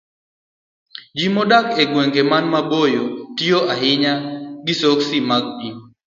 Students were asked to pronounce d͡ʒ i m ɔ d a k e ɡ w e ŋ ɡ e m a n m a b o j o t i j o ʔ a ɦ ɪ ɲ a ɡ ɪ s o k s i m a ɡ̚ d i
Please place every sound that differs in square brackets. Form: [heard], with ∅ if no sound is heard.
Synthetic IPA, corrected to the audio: d͡ʒ i m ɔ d a k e ɡ w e ŋ ɡ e m a n m a b o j o t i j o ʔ a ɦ ɪ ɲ a ɡ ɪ s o k s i m a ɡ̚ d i